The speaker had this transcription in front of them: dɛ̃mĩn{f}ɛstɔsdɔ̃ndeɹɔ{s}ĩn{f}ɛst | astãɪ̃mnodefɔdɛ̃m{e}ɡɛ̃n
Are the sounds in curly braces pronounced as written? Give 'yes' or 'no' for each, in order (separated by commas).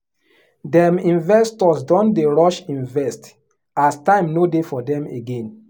no, no, no, yes